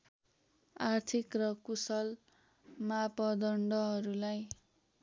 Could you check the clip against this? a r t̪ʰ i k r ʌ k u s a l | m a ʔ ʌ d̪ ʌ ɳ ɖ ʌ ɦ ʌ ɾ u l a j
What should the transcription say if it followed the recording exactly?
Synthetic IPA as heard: a r t̪ʰ i k r ʌ k u s ʌ l | m a p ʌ d̪ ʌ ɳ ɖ ʌ ɦ ʌ ɾ u l a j